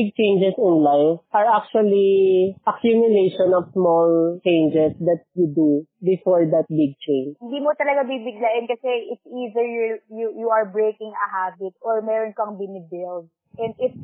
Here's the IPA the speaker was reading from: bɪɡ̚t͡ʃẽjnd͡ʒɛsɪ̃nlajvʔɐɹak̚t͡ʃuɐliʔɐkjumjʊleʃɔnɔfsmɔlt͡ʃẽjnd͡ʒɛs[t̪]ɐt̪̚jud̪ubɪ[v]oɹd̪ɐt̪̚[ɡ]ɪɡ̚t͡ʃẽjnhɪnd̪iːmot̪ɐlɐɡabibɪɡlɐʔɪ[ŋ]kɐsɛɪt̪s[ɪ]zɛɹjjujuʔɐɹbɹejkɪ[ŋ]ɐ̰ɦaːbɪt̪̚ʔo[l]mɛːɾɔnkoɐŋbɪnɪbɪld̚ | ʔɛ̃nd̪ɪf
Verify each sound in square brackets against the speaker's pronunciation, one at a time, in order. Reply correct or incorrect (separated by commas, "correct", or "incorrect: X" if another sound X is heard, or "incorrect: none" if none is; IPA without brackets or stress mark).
incorrect: d̪, incorrect: f, incorrect: b, incorrect: n, incorrect: i, correct, incorrect: ɹ